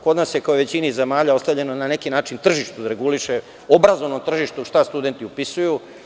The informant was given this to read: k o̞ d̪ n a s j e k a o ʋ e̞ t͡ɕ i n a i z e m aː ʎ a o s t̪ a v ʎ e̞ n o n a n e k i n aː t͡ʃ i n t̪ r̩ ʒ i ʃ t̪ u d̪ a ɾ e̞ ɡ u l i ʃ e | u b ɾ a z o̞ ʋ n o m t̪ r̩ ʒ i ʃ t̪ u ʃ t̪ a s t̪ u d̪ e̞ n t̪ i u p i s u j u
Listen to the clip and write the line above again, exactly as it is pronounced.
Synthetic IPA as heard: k o̞ d̪ n a s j e k a o ʋ e̞ t͡ɕ i n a i z e m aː ʎ a o s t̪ a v ʎ e̞ n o n a n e k i n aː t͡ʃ i n t̪ r̩ ʒ i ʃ t̪ u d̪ a ɾ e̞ ɡ u l i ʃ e | o b ɾ a z o̞ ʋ n o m t̪ r̩ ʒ i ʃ t̪ u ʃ t̪ a s t̪ u d̪ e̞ n t̪ i u p i s u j u